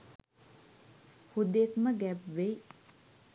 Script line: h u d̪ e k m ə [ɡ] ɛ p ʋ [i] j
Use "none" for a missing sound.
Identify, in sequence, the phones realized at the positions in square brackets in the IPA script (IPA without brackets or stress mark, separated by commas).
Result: ɡ, e